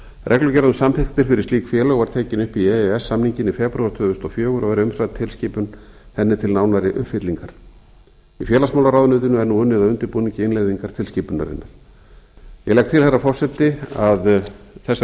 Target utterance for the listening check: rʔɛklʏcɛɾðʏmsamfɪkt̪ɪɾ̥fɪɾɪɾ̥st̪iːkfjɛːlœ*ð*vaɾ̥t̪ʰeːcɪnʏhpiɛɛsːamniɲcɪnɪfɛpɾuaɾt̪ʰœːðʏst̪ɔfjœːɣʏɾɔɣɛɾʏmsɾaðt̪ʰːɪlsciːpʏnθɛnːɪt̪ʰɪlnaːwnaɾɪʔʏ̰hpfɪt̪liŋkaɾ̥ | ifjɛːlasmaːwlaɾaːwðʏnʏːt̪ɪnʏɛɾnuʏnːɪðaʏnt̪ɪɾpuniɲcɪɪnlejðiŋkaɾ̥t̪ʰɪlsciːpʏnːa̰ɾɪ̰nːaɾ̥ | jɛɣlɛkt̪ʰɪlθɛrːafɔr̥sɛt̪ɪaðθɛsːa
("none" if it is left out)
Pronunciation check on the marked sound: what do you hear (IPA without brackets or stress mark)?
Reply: ɣ